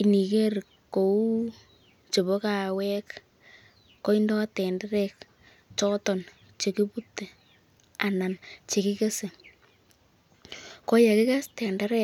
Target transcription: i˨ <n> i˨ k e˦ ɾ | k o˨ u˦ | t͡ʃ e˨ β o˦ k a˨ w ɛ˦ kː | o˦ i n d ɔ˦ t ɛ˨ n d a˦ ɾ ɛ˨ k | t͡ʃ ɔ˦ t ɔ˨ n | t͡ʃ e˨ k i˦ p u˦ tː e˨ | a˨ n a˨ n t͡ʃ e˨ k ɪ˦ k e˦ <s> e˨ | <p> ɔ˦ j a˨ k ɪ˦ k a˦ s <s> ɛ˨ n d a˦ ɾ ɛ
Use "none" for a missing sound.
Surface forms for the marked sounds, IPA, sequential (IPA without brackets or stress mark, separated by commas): n, s, k, t